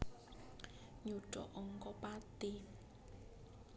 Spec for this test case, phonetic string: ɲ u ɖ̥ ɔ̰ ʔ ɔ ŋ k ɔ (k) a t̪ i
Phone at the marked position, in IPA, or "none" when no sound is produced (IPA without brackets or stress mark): p